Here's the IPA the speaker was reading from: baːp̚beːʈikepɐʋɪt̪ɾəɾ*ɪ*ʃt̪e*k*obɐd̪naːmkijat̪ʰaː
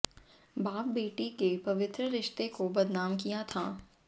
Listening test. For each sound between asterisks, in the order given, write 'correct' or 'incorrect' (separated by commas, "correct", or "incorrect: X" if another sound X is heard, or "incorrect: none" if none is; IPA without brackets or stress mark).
correct, correct